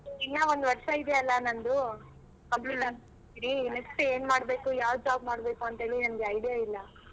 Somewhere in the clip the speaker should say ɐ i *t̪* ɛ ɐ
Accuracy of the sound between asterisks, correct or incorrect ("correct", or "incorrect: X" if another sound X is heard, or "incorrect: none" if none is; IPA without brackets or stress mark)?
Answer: incorrect: d̪